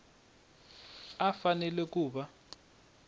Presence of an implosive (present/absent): present